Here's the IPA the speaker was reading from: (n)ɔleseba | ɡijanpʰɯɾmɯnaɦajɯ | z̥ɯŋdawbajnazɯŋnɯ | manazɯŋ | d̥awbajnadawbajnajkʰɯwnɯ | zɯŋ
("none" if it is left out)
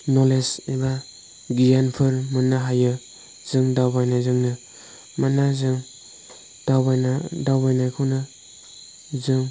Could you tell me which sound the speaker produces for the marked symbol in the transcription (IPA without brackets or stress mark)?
n